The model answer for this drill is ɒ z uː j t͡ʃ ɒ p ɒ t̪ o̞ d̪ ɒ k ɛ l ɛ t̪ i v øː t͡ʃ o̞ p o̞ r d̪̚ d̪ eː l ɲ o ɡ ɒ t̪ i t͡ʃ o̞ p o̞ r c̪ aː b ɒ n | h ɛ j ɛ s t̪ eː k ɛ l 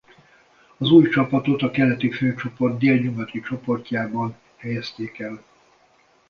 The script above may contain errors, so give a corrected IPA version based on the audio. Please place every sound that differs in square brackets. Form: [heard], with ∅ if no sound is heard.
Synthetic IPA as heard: ɒ z uː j t͡ʃ ɒ p ɒ t̪ o̞ [t̪] ɒ k ɛ l ɛ t̪ i [f] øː t͡ʃ o̞ p o̞ r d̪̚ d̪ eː l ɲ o ɡ ɒ t̪ i t͡ʃ o̞ p o̞ r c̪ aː b ɒ n | h ɛ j ɛ s t̪ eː k ɛ l